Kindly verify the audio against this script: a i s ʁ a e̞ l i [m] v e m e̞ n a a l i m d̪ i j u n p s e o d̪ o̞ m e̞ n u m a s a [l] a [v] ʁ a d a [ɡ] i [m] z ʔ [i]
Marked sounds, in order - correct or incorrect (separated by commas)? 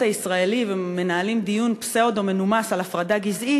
incorrect, correct, incorrect, correct, incorrect, correct